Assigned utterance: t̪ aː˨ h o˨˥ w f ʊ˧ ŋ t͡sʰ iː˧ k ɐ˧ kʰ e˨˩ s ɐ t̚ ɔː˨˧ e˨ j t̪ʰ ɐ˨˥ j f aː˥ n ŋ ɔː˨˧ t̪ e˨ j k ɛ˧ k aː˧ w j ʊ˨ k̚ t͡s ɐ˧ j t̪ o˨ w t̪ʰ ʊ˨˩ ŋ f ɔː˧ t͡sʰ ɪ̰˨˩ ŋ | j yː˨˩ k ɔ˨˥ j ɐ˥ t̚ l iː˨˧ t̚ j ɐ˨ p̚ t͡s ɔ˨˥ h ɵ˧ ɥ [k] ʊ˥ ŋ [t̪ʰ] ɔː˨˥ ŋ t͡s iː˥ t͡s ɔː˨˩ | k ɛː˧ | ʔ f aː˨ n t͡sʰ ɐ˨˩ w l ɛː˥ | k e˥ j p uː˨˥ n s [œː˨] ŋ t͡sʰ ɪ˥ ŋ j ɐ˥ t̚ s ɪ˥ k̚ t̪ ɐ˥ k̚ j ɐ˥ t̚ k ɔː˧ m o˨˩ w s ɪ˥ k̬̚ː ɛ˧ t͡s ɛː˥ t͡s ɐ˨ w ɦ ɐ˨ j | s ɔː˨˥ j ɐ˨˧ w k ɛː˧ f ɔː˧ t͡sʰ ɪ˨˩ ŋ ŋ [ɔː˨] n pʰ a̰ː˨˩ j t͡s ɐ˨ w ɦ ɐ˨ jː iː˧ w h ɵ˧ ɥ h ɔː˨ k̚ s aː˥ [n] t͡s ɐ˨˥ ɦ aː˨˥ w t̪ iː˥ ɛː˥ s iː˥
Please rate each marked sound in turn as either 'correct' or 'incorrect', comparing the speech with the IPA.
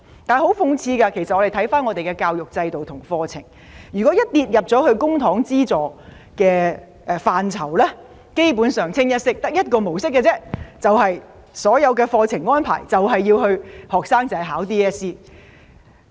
correct, correct, correct, incorrect: ɔː˥, incorrect: ŋ

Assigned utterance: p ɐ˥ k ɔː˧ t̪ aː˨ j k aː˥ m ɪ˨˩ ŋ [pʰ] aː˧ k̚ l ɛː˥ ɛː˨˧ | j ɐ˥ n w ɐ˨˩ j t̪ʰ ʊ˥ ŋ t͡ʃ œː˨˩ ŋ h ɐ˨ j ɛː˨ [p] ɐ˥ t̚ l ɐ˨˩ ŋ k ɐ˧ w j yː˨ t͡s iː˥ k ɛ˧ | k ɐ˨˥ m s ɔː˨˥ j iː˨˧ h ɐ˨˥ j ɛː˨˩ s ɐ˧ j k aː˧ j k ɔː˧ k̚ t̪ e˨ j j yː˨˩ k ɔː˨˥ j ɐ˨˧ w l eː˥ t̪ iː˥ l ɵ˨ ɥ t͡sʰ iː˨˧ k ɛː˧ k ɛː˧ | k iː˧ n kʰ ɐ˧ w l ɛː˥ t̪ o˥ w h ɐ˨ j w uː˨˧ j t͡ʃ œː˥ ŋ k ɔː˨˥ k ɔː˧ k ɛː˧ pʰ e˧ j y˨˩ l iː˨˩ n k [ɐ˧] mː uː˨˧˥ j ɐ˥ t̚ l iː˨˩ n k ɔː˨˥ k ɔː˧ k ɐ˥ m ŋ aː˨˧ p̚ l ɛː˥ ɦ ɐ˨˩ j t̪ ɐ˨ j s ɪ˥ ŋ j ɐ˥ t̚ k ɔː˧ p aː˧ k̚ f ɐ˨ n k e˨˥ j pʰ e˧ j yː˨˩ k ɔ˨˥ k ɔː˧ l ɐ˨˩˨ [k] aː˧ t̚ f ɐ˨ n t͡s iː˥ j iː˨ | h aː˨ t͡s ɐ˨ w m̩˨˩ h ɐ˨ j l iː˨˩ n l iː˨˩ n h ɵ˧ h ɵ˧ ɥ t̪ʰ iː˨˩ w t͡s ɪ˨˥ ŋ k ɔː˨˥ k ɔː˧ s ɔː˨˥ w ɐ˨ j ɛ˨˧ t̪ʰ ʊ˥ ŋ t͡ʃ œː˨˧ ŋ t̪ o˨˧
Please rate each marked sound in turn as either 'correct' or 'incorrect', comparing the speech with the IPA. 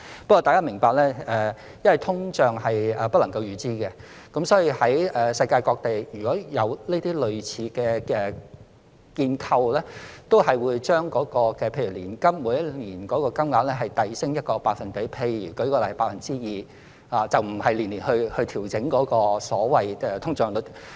incorrect: p, correct, incorrect: ɐ˥, incorrect: p

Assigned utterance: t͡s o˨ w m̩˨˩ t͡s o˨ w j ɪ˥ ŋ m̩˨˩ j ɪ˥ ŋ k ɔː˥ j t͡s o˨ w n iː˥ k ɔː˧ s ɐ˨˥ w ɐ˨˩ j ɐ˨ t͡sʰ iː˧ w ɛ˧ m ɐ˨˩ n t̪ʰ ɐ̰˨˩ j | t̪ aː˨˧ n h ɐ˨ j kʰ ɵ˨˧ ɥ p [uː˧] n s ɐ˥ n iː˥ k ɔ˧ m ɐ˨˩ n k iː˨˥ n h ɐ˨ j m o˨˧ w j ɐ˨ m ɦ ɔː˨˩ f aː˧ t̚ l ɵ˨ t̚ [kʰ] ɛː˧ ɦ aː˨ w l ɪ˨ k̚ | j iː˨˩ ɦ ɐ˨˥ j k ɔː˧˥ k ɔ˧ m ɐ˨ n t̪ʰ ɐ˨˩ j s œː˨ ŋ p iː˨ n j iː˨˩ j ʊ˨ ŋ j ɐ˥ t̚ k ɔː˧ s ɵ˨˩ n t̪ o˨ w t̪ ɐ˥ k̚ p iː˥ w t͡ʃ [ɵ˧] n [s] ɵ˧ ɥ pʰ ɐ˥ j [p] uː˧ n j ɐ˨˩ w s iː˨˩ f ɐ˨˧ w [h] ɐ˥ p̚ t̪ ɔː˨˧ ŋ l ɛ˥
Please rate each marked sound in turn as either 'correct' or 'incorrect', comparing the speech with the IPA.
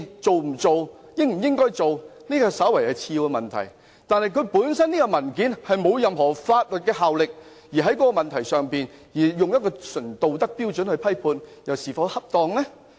incorrect: uː˨˥, incorrect: k, incorrect: ɵ˨˥, incorrect: h, incorrect: pʰ, correct

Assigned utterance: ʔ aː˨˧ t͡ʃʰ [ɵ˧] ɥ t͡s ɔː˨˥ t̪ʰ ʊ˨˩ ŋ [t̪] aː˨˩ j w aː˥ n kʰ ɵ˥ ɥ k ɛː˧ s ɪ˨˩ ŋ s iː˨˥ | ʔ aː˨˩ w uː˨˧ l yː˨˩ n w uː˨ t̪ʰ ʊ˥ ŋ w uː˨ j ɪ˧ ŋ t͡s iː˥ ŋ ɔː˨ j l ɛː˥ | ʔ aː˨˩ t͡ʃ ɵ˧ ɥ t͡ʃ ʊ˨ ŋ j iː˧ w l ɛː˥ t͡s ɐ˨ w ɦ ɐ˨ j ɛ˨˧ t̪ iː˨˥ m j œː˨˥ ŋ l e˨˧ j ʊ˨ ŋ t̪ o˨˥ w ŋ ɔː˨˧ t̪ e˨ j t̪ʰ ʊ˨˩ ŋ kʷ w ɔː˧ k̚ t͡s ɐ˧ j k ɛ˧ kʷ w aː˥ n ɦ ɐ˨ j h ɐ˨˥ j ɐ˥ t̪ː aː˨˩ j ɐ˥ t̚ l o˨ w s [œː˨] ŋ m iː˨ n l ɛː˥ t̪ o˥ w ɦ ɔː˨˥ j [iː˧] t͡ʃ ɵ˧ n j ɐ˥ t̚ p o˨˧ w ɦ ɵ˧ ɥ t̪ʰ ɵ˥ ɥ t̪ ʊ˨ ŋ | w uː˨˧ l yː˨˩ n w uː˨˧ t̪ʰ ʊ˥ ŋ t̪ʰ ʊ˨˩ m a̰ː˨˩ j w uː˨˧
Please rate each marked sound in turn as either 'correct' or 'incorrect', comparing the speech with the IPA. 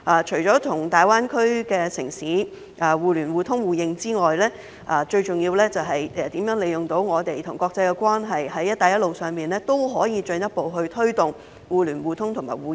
incorrect: ɵ˨˩, correct, correct, correct

